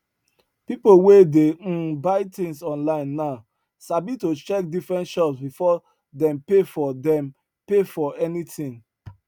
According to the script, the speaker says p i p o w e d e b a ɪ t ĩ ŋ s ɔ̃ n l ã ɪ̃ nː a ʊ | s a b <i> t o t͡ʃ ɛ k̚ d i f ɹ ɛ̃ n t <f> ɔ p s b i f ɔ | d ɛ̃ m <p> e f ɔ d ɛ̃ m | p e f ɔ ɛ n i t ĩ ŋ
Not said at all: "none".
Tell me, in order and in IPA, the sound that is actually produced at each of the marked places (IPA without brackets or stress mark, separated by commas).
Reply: i, ʃ, p